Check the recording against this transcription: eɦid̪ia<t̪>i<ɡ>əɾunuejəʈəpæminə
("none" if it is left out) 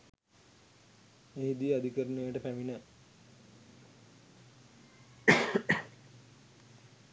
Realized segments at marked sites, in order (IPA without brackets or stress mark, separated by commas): d̪, k